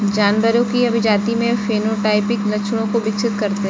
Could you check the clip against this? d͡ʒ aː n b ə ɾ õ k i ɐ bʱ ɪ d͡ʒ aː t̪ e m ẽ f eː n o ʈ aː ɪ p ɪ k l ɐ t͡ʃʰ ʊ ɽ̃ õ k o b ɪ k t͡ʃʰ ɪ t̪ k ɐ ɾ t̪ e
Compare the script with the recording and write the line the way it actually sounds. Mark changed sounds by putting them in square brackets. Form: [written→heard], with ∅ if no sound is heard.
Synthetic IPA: d͡ʒ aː n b ə ɾ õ k i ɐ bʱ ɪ d͡ʒ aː t̪ [e→i] m ẽ f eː n o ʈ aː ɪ p ɪ k l ɐ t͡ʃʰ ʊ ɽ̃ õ k o b ɪ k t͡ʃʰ ɪ t̪ k ɐ ɾ t̪ e